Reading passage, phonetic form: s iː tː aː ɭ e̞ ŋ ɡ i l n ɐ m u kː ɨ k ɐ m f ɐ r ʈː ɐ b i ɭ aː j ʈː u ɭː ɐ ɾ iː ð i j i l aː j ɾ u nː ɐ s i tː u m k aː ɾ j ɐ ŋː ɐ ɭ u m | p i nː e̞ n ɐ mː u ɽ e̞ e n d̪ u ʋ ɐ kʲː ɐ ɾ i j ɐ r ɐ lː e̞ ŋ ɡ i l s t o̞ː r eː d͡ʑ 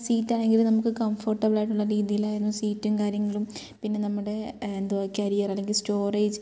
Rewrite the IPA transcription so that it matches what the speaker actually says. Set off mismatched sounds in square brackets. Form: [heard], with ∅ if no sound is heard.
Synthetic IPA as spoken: s iː tː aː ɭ e̞ ŋ ɡ i l n ɐ m u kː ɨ k ɐ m f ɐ r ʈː ɐ b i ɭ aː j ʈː u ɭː ɐ ɾ iː ð i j i l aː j ɾ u nː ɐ s [iː] tː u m k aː ɾ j ɐ ŋː ɐ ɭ u m | p i nː e̞ n ɐ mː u ɽ e̞ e n d̪ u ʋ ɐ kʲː ɐ ɾ i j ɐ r ɐ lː e̞ ŋ ɡ i l s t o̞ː r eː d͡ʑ